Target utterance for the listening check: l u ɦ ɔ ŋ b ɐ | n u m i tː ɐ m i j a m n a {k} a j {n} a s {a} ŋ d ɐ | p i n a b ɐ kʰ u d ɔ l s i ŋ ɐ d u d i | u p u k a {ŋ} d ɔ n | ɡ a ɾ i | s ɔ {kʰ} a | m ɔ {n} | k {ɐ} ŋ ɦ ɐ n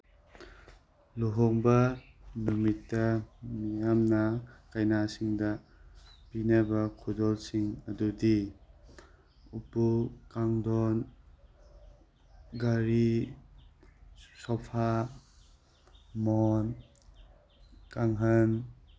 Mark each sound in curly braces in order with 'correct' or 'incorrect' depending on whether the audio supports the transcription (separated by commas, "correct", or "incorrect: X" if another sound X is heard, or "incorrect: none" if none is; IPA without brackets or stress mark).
correct, correct, incorrect: i, correct, incorrect: pʰ, correct, incorrect: a